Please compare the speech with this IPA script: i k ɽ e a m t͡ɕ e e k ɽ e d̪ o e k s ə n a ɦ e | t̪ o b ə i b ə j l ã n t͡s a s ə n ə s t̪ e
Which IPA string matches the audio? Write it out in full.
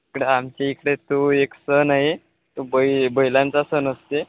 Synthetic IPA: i k ɽ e a m t͡ɕ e i k ɽ e t̪ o e k s ə n a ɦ e | t̪ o b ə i b ə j l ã n t͡s a s ə n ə s t̪ e